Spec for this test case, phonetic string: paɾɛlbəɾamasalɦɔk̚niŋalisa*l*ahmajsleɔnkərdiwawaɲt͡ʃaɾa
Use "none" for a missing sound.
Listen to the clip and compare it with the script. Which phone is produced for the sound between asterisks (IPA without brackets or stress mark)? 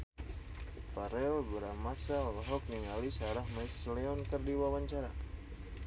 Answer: ɾ